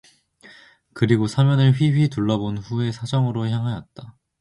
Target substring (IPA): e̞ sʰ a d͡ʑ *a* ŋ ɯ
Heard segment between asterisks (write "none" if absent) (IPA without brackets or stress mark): ʌ